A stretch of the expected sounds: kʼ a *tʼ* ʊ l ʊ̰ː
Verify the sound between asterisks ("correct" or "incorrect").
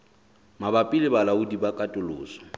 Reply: correct